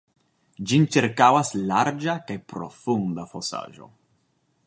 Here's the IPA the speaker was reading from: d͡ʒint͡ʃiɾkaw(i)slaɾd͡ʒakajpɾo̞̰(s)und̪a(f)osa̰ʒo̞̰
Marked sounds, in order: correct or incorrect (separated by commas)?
incorrect, incorrect, correct